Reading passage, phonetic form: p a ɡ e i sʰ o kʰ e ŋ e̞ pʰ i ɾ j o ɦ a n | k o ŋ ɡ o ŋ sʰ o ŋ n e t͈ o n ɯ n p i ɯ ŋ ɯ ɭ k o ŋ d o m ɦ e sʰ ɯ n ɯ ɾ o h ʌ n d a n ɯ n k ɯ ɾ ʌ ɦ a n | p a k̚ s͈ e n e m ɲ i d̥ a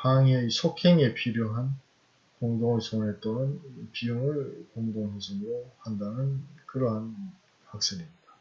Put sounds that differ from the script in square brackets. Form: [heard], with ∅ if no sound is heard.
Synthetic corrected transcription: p a [ŋ] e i sʰ o kʰ e ŋ e̞ pʰ i ɾ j o ɦ a n | k o ŋ [d] o ŋ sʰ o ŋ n e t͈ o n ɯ n p i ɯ ŋ ɯ ɭ k o ŋ d o [ŋ] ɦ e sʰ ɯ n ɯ ɾ o h [a] n d a n ɯ n k ɯ ɾ ʌ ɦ a n | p a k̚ s͈ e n [i] m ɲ i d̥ a